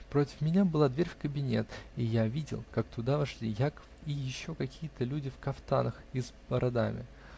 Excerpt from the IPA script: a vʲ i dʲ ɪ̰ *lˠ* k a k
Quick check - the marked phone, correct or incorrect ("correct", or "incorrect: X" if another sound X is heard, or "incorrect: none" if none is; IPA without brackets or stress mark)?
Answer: correct